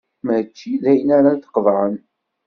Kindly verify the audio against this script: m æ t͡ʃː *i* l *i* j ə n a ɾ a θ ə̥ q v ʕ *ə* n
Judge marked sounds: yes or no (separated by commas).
yes, no, yes